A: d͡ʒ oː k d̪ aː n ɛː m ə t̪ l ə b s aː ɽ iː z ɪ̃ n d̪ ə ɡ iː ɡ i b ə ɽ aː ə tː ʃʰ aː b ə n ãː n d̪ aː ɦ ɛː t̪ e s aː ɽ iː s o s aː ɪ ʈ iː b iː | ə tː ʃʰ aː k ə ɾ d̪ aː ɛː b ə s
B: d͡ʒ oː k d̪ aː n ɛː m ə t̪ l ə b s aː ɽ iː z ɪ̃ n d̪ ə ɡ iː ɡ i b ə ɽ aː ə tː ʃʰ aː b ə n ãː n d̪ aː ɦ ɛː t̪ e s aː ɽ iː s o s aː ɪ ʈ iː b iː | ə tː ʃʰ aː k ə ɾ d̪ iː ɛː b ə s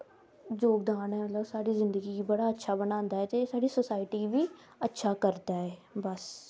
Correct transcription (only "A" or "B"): A